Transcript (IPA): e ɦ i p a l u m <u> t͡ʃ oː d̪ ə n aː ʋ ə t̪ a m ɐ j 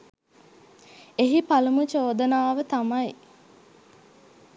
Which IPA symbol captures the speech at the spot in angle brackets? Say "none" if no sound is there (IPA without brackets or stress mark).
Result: u